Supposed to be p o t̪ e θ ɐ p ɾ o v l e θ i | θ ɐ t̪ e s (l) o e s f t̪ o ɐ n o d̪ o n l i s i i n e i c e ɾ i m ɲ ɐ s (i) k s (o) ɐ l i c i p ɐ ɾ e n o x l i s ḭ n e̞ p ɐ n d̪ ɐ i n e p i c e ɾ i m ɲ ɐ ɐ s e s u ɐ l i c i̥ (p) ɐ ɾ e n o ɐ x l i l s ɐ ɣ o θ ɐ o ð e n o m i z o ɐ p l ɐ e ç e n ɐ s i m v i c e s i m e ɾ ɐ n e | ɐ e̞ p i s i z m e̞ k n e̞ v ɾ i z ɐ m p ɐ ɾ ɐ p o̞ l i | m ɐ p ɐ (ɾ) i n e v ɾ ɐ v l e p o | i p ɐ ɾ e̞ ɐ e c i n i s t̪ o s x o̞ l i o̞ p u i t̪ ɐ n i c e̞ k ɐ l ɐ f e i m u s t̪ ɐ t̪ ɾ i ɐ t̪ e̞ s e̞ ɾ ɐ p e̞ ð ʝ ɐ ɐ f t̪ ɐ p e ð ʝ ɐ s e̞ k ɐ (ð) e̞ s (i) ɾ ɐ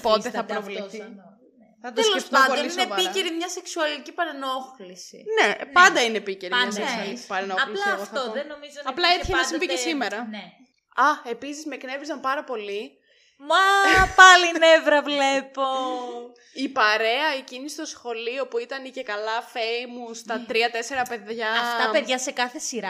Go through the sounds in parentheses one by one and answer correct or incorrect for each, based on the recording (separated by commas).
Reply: correct, incorrect, incorrect, correct, incorrect, incorrect, correct